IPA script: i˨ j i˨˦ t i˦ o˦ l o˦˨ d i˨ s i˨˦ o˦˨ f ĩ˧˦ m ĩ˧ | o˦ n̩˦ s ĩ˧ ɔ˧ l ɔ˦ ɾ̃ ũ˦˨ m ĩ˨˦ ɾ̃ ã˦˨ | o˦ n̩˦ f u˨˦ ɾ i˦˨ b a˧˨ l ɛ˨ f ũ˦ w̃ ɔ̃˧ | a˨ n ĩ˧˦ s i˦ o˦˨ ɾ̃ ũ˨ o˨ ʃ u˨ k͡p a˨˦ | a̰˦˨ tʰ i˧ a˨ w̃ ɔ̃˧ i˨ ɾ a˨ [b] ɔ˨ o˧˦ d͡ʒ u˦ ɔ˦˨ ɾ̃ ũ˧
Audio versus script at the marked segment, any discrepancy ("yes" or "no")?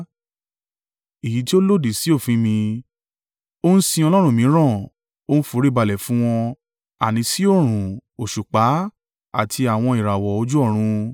yes